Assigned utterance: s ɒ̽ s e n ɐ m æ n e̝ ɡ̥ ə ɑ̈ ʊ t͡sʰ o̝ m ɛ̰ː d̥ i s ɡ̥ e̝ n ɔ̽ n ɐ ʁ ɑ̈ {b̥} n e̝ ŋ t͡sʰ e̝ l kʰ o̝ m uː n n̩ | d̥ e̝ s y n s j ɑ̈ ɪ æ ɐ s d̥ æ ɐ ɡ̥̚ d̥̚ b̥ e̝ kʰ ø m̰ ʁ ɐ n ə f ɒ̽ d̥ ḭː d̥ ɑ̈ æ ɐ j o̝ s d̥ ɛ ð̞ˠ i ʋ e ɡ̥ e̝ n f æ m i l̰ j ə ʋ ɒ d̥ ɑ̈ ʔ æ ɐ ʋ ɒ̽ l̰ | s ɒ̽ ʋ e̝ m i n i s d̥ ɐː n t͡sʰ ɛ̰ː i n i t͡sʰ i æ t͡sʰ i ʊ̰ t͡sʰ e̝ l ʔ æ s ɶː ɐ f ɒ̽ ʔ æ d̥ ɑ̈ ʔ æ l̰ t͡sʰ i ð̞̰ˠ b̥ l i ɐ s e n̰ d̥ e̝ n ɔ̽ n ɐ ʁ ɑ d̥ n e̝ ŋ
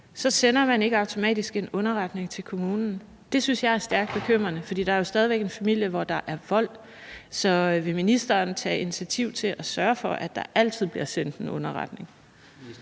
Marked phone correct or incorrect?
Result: incorrect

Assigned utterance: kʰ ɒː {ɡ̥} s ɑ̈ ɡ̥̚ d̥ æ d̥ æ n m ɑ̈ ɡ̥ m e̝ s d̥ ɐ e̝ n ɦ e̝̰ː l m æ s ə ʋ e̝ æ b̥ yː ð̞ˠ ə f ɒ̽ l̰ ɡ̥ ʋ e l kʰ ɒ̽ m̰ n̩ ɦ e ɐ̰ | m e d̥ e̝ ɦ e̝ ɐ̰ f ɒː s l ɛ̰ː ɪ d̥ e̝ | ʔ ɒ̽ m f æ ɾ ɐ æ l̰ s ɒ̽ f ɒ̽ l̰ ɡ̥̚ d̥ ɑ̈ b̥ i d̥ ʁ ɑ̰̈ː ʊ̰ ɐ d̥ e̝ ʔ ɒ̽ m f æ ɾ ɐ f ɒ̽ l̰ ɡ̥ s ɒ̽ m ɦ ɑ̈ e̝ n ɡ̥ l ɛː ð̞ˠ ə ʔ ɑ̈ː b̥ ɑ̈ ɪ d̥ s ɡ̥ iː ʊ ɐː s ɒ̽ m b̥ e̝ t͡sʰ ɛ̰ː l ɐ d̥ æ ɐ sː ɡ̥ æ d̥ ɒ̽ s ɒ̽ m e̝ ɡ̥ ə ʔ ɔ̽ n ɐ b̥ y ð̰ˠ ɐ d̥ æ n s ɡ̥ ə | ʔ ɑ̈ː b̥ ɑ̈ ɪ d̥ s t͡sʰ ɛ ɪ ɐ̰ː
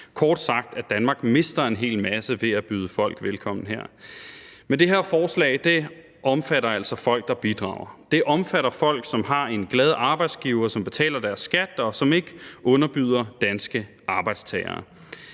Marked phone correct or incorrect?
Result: incorrect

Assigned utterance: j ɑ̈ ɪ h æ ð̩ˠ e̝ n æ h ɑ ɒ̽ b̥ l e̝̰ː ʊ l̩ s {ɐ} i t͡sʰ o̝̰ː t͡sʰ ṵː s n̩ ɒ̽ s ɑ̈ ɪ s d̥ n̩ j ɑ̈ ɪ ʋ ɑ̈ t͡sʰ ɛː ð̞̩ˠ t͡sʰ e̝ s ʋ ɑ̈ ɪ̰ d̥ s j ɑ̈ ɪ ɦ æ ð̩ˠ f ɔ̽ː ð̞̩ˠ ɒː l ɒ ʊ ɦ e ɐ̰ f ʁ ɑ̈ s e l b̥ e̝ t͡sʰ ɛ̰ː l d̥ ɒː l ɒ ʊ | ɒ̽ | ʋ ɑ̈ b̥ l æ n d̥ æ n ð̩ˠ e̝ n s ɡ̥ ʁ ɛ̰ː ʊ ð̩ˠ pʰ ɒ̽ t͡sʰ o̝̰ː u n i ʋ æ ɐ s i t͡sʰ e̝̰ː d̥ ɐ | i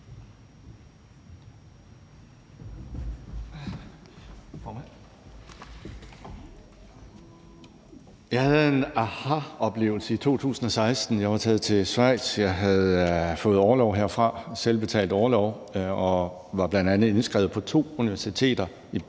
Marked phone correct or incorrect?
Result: incorrect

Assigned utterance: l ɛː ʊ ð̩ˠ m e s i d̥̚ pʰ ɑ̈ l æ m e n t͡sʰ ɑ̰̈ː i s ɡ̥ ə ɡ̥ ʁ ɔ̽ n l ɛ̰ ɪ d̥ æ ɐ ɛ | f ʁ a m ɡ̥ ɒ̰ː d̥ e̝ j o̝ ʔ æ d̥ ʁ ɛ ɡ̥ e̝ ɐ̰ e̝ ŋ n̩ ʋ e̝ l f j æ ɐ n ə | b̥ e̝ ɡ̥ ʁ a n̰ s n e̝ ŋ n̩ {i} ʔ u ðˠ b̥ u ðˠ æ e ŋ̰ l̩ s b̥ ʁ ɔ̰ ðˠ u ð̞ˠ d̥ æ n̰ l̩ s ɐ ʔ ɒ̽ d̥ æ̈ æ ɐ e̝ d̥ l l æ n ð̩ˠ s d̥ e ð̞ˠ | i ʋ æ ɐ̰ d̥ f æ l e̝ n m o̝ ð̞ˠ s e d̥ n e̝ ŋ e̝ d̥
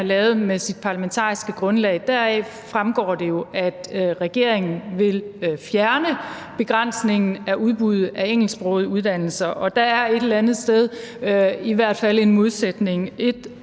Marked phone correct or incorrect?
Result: incorrect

